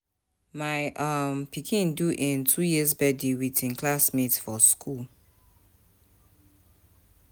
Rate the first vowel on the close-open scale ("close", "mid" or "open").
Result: open